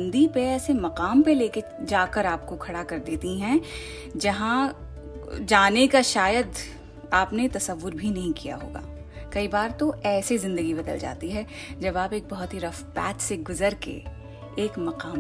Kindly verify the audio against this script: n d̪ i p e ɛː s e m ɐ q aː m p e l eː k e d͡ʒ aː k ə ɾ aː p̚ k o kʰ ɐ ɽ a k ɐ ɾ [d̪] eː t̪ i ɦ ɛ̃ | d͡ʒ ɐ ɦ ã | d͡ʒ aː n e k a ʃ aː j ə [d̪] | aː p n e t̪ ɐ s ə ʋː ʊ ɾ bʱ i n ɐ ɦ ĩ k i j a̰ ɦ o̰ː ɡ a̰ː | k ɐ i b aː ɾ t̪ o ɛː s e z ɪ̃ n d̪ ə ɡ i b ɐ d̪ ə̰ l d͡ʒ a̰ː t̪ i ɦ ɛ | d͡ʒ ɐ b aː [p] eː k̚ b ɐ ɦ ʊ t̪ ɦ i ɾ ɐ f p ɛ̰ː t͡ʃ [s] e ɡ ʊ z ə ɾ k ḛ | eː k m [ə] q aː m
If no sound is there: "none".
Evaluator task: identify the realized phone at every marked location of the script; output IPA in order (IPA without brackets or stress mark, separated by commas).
d̪, d̪, p, s, ɐ